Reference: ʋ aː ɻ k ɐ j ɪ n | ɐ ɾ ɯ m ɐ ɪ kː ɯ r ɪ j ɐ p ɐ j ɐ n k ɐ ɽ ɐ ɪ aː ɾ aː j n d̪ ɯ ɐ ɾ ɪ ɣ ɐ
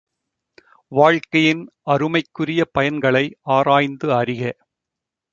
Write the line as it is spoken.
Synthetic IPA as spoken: ʋ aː ɻ k ɐ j ɪ n | ɐ ɾ ɯ m ɐ ɪ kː ɯ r ɪ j ɐ p ɐ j ɐ n ɡ ɐ ɭ ɐ ɪ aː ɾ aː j n d̪ ɯ ɐ ɾ ɪ ɣ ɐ

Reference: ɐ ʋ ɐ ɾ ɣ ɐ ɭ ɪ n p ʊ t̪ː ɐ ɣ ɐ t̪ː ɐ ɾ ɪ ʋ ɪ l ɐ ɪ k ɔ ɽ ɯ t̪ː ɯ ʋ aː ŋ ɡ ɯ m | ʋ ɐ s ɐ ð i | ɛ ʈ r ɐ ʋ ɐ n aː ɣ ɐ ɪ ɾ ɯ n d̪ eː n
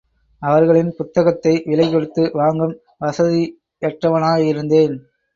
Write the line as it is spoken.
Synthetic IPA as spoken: ɐ ʋ ɐ ɾ ɣ ɐ ɭ ɪ n p ʊ t̪ː ɐ ɣ ɐ t̪ː ɐ ɪ ʋ ɪ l ɐ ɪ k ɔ ɽ ɯ t̪ː ɯ ʋ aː ŋ ɡ ɯ m | ʋ ɐ s ɐ ð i | ɛ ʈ r ɐ ʋ ɐ n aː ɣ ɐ ɪ ɾ ɯ n d̪ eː n

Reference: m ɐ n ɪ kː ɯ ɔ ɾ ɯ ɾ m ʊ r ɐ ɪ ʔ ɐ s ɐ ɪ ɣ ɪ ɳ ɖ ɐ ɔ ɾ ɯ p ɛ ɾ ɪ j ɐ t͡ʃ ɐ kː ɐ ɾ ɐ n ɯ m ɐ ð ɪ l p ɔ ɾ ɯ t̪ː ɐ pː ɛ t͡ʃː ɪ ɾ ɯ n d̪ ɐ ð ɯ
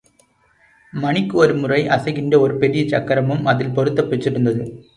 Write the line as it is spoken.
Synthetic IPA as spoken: m ɐ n ɪ kː ɯ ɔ ɾ ɯ m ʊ r ɐ ɪ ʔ ɐ s ɐ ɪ ɣ ɪ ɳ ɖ ɐ ɔ ɾ ɯ p ɛ ɾ ɪ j ɐ t͡ʃ ɐ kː ɐ ɾ ɐ m ɯ m ɐ ð ɪ l p ɔ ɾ ɯ t̪ː ɐ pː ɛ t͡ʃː ɪ ɾ ɯ n d̪ ɐ ð ɯ

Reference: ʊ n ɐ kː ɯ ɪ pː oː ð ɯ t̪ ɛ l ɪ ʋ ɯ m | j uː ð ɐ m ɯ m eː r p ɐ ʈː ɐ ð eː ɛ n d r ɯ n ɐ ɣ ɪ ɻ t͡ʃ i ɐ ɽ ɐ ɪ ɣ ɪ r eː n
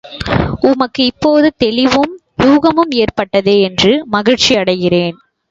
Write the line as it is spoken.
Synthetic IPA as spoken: ʊ m ɐ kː ɯ ɪ pː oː ð ɯ t̪ ɛ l ɪ ʋ ɯ m | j uː ɣ ɐ m ɯ m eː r p ɐ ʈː ɐ ð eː ɛ n d r ɯ m ɐ ɣ ɪ ɻ t͡ʃ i ɐ ɽ ɐ ɪ ɣ ɪ r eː n

